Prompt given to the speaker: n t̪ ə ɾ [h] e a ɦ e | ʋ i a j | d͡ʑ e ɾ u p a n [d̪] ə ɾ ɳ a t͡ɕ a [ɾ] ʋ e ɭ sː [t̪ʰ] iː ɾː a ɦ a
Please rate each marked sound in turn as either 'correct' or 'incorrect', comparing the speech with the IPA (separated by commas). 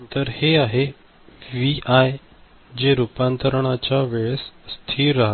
correct, incorrect, incorrect, correct